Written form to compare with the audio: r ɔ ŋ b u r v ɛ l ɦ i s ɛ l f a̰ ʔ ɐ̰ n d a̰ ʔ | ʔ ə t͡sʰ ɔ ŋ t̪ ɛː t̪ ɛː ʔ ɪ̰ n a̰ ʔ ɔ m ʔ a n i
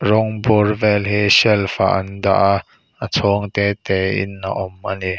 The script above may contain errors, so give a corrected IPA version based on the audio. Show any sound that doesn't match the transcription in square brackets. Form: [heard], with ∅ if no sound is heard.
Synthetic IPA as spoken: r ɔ ŋ b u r v ɛ l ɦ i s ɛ l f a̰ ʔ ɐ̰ n d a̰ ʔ | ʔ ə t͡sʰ ɔ ŋ t̪ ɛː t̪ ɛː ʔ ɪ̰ n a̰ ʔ ɔ m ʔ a n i